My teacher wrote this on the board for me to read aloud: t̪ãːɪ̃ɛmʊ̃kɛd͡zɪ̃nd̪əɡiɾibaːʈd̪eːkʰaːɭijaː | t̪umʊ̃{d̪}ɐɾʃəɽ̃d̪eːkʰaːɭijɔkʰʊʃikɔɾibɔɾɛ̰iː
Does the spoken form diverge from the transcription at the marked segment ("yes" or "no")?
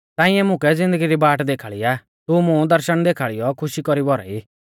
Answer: no